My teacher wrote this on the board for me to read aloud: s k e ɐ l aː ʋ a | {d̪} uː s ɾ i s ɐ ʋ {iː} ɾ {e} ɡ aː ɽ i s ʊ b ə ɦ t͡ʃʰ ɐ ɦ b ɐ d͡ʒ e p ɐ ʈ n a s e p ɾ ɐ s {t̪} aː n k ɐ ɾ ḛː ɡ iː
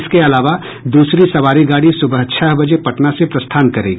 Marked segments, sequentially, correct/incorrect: correct, incorrect: aː, incorrect: i, incorrect: t̪ʰ

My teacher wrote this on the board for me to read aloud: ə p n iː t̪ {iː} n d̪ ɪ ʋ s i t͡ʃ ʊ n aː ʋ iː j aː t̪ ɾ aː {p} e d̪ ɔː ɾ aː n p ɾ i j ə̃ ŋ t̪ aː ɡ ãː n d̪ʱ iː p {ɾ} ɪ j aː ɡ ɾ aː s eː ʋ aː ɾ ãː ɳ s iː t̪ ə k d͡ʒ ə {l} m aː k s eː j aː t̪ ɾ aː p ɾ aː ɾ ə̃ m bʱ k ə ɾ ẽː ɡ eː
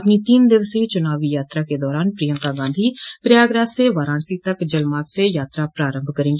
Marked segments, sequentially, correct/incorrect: correct, incorrect: k, correct, correct

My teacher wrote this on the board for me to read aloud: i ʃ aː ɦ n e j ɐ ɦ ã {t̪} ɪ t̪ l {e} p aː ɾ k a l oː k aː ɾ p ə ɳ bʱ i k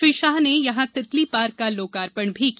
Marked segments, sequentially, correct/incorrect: correct, incorrect: i

